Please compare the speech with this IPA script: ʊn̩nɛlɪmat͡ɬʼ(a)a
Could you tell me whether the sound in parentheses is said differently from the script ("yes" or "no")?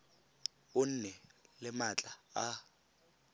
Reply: no